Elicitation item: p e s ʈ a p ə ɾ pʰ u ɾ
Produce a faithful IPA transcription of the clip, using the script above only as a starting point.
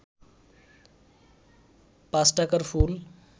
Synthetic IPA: p a s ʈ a k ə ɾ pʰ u l